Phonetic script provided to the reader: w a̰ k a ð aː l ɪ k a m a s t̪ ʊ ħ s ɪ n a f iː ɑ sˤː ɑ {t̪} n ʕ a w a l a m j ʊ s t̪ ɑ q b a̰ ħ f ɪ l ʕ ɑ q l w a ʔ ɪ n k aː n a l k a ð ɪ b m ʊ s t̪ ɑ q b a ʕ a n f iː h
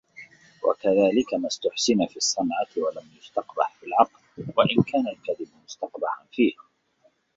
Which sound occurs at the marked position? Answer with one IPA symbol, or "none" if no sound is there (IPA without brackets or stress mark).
none